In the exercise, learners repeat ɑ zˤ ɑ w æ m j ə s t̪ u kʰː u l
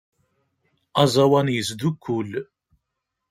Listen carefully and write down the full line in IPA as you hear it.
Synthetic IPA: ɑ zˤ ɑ w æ n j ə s d̪ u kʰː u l